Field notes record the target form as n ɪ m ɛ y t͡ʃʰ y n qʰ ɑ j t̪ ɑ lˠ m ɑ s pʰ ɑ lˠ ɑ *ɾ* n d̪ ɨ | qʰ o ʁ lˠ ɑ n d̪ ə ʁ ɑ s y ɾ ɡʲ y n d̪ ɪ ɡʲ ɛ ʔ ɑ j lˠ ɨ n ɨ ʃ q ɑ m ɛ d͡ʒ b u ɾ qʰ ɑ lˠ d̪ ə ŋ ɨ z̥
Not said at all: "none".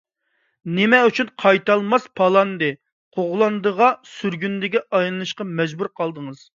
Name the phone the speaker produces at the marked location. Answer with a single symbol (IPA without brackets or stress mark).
none